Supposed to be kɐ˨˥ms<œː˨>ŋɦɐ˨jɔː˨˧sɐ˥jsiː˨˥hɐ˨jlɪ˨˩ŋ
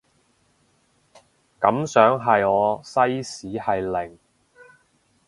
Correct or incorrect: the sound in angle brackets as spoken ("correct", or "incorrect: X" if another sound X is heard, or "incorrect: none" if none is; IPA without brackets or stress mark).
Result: incorrect: œː˨˥